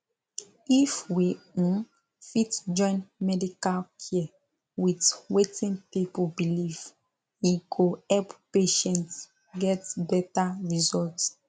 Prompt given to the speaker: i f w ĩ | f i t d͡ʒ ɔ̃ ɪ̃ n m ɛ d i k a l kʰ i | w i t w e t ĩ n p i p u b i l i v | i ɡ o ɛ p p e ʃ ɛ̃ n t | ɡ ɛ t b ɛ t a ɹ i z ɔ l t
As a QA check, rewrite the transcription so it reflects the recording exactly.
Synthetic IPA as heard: i f w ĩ | f i t d͡ʒ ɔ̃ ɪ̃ n m ɛ d i k a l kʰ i | w i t w e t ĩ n p i p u b i l i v | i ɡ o ɛ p p e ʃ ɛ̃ n t | ɡ ɛ t b ɛ t a ɹ i z ɔ l t